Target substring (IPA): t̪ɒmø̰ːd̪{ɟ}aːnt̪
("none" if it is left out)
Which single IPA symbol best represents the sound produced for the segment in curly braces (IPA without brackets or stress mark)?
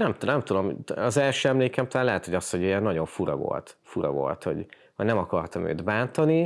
b